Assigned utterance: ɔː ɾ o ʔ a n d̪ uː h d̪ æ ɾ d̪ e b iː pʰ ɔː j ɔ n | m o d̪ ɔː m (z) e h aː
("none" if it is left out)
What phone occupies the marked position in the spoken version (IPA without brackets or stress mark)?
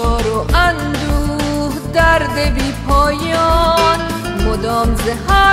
z